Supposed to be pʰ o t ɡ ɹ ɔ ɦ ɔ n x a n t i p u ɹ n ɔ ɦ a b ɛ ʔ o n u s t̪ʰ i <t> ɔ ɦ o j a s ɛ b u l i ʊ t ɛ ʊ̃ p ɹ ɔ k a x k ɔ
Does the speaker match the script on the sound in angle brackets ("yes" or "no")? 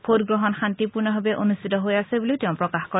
yes